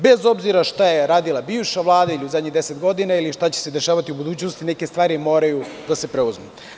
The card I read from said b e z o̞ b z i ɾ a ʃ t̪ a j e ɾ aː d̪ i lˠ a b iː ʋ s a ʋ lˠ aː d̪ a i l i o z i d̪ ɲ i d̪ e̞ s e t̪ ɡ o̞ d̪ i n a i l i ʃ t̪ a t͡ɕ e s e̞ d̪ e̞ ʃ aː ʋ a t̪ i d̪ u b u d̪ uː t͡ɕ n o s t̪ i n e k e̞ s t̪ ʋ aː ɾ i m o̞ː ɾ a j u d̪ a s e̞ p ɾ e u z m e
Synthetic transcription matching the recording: b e z o̞ b z i ɾ a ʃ t̪ a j e ɾ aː d̪ i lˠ a b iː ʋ ʃ a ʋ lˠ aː d̪ a i l i u z a d̪ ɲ i d̪ e̞ s e t̪ ɡ o̞ d̪ i n a i l i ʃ t̪ a t͡ɕ e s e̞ d̪ e̞ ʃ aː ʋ a t̪ i u b u d̪ uː t͡ɕ n o s t̪ i n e k e̞ s t̪ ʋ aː ɾ i m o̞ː ɾ a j u d̪ a s e̞ p ɾ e u z m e